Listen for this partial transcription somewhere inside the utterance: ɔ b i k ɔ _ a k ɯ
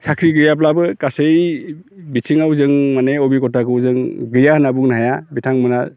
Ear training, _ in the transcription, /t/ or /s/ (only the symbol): t